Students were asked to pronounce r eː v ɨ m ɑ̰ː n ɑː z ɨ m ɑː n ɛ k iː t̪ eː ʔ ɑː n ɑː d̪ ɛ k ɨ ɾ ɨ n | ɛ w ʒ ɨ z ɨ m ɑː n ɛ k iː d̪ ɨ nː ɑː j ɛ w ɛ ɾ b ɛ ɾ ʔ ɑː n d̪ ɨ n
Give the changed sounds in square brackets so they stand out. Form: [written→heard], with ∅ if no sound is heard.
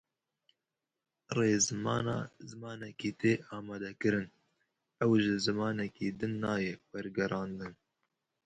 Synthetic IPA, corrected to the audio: r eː [v→z] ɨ m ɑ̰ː n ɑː z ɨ m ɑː n ɛ k iː t̪ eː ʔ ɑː [n→m] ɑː d̪ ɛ k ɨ ɾ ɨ n | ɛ w ʒ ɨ z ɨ m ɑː n ɛ k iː d̪ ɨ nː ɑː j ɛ w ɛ ɾ [b→ɡ] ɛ ɾ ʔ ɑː n d̪ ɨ n

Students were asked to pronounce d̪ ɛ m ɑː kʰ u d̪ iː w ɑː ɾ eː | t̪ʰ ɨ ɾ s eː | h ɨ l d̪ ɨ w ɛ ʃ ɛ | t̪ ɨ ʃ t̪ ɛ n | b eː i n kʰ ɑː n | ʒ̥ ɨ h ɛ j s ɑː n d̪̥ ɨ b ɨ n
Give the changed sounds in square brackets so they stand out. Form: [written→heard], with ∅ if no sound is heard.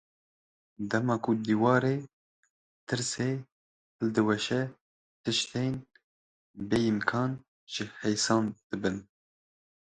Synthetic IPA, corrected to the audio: d̪ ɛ m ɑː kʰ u d̪ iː w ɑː ɾ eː | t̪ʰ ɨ ɾ s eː | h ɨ l d̪ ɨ w ɛ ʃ ɛ | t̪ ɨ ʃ t̪ [ɛ→e] n | b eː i [n→m] kʰ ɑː n | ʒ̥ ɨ h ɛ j s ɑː n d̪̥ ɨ b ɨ n

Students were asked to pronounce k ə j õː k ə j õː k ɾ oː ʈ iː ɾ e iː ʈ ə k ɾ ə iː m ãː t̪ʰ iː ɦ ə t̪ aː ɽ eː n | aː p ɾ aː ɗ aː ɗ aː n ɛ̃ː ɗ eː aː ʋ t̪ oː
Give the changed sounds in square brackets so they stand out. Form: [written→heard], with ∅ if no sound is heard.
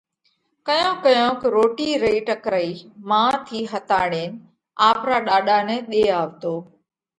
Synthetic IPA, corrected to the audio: k ə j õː k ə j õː k ɾ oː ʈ iː ɾ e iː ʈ ə k ɾ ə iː m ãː t̪ʰ iː ɦ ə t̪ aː ɽ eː n | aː p ɾ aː ɗ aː ɗ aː n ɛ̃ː ɗ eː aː ʋ t̪ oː

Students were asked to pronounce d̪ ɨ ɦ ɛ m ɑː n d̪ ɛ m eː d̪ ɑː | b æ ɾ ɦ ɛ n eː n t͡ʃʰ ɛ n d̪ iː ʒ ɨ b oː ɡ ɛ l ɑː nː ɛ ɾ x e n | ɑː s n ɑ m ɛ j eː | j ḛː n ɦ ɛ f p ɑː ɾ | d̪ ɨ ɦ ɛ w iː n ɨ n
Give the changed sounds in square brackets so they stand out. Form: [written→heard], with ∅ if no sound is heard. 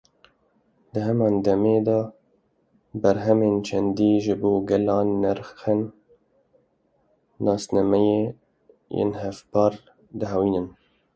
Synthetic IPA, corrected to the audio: d̪ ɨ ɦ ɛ m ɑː n d̪ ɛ m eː d̪ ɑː | b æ ɾ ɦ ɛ [n→m] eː n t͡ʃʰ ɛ n d̪ iː ʒ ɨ b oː ɡ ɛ l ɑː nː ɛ ɾ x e n | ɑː s n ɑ m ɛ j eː | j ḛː n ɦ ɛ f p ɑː ɾ | d̪ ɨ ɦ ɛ w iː n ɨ n

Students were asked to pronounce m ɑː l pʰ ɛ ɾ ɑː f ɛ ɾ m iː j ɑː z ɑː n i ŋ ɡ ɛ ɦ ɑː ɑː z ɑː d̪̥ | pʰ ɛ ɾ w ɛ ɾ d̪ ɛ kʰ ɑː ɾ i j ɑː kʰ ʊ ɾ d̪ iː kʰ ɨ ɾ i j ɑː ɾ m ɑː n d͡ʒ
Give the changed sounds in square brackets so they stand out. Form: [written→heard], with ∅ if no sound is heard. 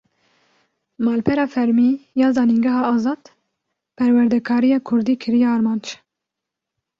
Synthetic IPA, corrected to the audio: m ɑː l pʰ ɛ ɾ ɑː f ɛ ɾ m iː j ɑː z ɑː n i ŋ ɡ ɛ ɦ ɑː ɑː z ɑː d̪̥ | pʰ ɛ ɾ w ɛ ɾ d̪ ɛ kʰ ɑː ɾ i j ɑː kʰ ʊ ɾ d̪ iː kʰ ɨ ɾ i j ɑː ɾ m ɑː n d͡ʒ

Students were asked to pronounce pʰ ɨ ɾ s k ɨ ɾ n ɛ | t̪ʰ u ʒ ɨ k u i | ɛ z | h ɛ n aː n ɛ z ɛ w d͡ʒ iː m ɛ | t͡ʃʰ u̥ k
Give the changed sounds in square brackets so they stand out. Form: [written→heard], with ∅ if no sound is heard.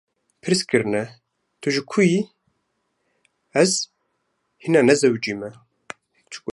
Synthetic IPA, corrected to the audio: pʰ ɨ ɾ s k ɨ ɾ n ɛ | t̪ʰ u ʒ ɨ [k→kʰ] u i | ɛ z | h [ɛ→i] n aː n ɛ z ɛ w d͡ʒ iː m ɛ | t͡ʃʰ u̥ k

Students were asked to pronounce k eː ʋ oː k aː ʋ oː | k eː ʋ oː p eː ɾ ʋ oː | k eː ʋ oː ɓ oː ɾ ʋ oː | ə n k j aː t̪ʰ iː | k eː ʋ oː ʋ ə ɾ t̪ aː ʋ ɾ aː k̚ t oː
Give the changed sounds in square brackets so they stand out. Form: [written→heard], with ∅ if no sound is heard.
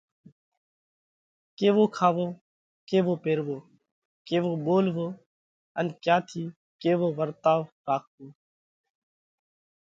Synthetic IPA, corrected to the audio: k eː ʋ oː [k→kʰ] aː ʋ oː | k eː ʋ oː p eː ɾ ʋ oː | k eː ʋ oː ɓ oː [ɾ→l] ʋ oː | ə n k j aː t̪ʰ iː | k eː ʋ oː ʋ ə ɾ t̪ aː ʋ ɾ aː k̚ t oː

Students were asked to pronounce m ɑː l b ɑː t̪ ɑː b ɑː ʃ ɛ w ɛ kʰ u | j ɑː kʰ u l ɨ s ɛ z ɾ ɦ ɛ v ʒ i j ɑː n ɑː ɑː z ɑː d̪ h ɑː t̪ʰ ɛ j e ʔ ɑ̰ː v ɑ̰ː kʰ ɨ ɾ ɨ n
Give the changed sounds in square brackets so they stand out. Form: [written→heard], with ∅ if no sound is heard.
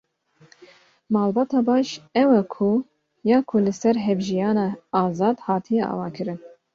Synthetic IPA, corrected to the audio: m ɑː l b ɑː t̪ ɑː b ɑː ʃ ɛ w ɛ kʰ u | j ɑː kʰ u l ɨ s ɛ [z→∅] ɾ ɦ ɛ v ʒ i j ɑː n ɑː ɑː z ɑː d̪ h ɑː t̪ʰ [ɛ→i] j [e→ɛ] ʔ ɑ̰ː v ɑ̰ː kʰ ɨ ɾ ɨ n

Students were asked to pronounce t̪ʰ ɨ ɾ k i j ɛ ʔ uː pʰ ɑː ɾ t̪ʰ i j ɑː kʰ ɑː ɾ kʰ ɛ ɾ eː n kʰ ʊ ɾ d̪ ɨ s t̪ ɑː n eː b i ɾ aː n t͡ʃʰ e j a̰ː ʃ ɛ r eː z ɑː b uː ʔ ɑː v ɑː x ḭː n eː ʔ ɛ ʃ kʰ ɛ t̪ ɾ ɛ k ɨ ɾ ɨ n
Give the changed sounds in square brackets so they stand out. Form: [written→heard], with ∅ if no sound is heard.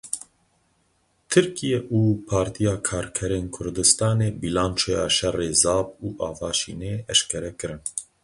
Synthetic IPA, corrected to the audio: t̪ʰ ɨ ɾ k i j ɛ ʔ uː pʰ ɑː ɾ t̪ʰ i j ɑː kʰ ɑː ɾ kʰ ɛ ɾ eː n kʰ ʊ ɾ d̪ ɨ s t̪ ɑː n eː b i [ɾ→l] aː n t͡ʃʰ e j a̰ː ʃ ɛ r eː z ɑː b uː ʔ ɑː v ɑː [x→ʃ] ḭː n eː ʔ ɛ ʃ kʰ ɛ [t̪→∅] ɾ ɛ k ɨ ɾ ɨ n

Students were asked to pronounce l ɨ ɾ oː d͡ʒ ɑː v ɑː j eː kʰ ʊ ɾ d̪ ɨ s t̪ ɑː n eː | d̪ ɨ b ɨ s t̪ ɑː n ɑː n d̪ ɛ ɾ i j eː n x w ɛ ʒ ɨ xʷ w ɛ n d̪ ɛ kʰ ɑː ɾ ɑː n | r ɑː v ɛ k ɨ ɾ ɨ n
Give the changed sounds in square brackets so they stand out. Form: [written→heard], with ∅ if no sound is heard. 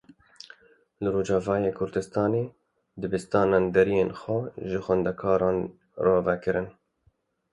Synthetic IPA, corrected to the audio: l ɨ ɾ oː d͡ʒ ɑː v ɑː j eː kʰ ʊ ɾ d̪ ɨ s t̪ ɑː n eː | d̪ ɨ b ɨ s t̪ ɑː n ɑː n d̪ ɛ ɾ i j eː n x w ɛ ʒ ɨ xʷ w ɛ n d̪ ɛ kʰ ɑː ɾ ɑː n | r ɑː v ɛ k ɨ ɾ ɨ n

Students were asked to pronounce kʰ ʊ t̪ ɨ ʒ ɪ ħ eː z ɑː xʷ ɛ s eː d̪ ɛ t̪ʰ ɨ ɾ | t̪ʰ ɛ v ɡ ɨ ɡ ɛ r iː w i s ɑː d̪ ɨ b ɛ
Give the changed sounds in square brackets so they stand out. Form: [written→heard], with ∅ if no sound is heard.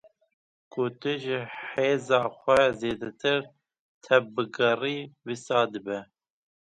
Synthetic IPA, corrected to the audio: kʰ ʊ t̪ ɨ ʒ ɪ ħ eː z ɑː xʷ ɛ [s→z] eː d̪ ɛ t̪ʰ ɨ ɾ | t̪ʰ ɛ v [ɡ→b] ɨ ɡ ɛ r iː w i s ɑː d̪ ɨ b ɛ

